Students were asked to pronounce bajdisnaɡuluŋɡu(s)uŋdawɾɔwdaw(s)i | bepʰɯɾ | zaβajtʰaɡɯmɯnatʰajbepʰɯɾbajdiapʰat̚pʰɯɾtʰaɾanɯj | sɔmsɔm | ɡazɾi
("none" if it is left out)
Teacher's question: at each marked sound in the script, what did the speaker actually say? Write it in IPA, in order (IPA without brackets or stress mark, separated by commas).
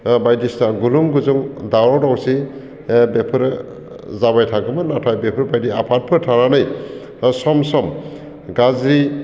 z, s